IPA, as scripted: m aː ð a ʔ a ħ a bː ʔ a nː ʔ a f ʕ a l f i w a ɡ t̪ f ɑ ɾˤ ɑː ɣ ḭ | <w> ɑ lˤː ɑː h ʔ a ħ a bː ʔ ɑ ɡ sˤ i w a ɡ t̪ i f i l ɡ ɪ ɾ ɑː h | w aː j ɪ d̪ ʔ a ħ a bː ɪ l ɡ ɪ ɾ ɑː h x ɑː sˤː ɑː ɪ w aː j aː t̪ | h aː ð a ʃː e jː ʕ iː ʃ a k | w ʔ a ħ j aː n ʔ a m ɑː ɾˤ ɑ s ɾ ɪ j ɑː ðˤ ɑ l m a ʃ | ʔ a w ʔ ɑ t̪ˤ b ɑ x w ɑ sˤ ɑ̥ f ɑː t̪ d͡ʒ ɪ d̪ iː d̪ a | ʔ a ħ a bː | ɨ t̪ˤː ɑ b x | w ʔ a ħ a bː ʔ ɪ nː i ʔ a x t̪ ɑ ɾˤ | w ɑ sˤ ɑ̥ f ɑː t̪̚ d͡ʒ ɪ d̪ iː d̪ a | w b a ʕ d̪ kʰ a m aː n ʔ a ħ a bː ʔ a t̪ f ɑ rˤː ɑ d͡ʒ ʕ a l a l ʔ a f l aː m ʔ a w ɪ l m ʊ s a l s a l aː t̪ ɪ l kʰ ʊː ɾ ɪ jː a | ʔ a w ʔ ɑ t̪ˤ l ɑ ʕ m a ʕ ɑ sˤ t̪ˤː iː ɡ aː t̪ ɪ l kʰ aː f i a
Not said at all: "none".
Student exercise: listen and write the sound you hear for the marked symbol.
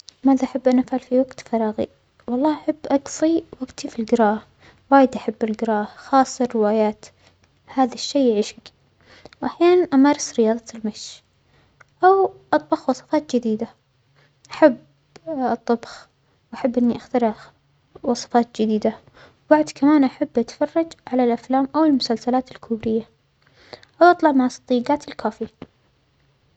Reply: w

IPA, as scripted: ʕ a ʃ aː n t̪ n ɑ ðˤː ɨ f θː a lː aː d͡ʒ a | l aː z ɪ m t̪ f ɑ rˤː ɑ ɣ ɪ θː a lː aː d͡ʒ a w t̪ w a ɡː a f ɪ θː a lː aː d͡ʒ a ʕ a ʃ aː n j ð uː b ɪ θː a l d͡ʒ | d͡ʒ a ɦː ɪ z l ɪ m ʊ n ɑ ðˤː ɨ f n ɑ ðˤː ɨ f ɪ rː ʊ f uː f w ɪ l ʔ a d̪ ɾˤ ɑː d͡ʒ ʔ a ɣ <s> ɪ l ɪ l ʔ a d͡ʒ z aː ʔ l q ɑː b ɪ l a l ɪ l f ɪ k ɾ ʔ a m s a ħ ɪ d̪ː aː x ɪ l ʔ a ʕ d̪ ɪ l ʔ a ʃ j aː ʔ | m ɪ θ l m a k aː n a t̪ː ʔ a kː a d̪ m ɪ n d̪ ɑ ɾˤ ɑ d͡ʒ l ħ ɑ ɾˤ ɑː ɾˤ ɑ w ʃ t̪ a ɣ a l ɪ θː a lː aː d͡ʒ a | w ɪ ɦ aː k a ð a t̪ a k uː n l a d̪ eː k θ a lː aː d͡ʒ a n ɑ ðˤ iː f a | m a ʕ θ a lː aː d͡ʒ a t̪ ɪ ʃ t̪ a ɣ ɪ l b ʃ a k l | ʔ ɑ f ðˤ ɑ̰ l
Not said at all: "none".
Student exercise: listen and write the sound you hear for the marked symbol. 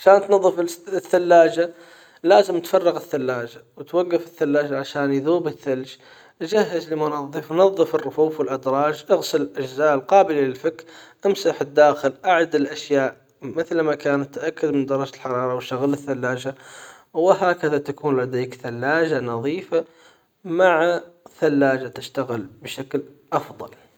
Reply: s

